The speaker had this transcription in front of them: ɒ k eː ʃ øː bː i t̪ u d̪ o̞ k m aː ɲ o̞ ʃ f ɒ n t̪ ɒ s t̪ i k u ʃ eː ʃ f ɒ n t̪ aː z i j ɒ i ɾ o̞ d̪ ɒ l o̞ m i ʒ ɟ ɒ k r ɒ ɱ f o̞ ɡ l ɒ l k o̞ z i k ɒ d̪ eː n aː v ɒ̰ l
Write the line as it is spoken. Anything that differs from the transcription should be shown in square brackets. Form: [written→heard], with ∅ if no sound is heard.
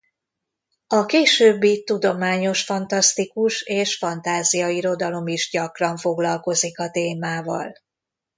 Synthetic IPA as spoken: ɒ k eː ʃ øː bː i t̪ u d̪ o̞ [k→∅] m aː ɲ o̞ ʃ f ɒ n t̪ ɒ s t̪ i k u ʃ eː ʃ f ɒ n t̪ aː z i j ɒ i ɾ o̞ d̪ ɒ l o̞ m i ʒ ɟ ɒ k r ɒ ɱ f o̞ ɡ l ɒ l k o̞ z i k ɒ [d̪→t̪] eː [n→m] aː v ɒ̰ l